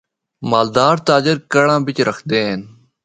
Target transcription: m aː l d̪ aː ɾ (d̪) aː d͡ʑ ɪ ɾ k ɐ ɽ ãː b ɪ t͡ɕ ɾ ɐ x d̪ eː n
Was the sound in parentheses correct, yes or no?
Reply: no